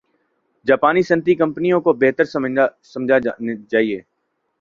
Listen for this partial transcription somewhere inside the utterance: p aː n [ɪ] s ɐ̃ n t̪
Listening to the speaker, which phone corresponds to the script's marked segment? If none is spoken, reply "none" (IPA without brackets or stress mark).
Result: i